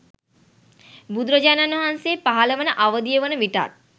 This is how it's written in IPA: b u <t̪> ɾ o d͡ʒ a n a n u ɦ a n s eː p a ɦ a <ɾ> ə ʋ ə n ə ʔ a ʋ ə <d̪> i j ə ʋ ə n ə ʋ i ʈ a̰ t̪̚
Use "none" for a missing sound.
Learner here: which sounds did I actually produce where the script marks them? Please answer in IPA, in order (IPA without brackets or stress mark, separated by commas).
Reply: d̪, l, d̪